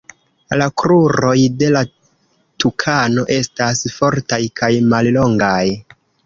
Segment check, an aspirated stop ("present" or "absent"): present